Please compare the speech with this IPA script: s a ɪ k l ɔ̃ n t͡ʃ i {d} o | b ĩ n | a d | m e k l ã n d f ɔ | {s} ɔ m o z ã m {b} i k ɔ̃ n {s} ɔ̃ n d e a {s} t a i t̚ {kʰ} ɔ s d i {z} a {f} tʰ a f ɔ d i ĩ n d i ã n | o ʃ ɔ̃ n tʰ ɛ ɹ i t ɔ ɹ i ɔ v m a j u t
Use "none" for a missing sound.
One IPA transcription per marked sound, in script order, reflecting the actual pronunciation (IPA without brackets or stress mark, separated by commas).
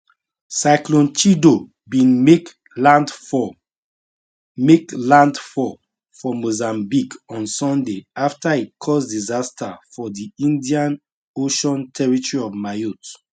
d, f, b, s, f, kʰ, z, s